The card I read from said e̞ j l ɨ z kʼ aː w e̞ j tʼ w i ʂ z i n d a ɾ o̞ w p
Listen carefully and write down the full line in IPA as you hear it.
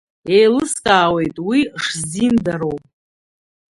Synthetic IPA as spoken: e̞ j l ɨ s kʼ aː w e̞ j tʼ w i ʂ z i n d a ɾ o̞ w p